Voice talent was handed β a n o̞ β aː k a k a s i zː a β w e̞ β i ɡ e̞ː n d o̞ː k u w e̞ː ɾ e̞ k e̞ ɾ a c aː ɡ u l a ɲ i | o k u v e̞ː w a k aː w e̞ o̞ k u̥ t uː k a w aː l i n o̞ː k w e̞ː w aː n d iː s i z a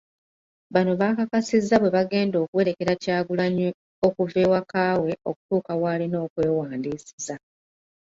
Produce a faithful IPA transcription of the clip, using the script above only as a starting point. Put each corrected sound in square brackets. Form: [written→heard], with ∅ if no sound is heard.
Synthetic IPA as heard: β a n o̞ β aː k a k a s i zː a β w e̞ β [i→a] ɡ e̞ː n d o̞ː k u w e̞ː ɾ e̞ k e̞ ɾ a c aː ɡ u l a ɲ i | o k u v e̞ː w a k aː w e̞ o̞ k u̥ t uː k a w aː l i n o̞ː k w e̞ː w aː n d iː s i z a